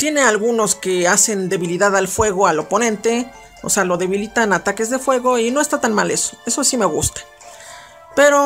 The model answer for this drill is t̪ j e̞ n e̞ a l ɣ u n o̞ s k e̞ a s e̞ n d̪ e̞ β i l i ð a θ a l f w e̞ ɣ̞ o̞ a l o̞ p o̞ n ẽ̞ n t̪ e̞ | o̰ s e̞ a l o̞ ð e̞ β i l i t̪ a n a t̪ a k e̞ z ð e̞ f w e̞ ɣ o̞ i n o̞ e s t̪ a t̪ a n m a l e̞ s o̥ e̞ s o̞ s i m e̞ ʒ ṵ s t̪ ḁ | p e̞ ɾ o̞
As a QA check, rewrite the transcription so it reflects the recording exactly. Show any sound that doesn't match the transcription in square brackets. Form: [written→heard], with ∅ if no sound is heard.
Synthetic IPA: t̪ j e̞ n e̞ a l ɣ u n o̞ s k e̞ a s e̞ n d̪ e̞ β i l i ð a [θ→ð] a l f w e̞ ɣ̞ o̞ a l o̞ p o̞ n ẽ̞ n t̪ e̞ | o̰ s e̞ a l o̞ ð e̞ β i l i t̪ a n a t̪ a k e̞ z ð e̞ f w e̞ ɣ o̞ i n o̞ e s t̪ a t̪ a n m a l e̞ s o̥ e̞ s o̞ s i m e̞ [ʒ→ɣ] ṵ s t̪ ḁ | p e̞ ɾ o̞